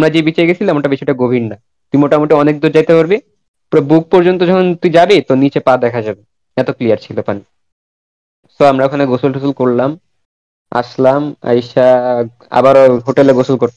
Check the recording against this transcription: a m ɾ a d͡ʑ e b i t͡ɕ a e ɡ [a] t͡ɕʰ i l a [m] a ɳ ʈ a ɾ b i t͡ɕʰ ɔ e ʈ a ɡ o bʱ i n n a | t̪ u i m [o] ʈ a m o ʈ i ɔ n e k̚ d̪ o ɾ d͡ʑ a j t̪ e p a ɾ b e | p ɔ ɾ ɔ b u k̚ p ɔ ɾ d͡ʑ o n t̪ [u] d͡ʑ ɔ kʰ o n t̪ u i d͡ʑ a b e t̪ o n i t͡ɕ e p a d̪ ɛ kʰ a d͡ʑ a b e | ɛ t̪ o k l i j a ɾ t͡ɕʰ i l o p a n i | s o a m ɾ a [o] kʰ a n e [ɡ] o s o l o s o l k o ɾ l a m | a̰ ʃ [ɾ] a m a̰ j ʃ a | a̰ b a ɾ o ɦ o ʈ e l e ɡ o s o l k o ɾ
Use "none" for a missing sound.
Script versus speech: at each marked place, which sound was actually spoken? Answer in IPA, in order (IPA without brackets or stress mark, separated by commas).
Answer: e, m, o, o, o, ɡ, l